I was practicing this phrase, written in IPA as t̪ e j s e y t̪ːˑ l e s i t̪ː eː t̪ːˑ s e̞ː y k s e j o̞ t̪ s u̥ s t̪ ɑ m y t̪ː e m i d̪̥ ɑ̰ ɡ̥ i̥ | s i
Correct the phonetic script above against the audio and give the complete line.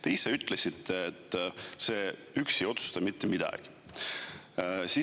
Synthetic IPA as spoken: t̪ e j s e y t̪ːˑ l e s i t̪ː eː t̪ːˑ s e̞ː y k s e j o̞ t̪ s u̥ s t̪ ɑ m i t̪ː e m i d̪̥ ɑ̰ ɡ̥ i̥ | s i